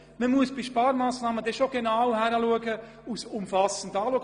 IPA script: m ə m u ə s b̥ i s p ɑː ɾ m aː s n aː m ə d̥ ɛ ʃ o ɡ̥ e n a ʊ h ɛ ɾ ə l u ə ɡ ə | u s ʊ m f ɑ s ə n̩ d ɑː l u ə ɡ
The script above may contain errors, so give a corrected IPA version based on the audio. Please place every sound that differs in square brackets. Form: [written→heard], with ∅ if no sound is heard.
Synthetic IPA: m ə m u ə s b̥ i [s→ʃ] p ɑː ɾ m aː s n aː m ə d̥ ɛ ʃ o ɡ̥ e n a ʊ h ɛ ɾ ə l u ə ɡ ə | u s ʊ m f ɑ s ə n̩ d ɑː l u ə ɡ